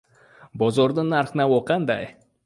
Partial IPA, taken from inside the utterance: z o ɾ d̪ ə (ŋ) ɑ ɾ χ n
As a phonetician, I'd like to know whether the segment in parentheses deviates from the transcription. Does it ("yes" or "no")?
yes